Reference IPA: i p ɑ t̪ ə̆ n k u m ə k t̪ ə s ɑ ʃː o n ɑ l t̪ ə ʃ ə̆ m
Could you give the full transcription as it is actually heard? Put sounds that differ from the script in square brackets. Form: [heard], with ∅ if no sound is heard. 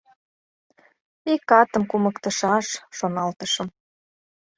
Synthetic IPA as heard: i [k] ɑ t̪ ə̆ [m] k u m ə k t̪ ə [ʃ] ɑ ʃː o n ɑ l t̪ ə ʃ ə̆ m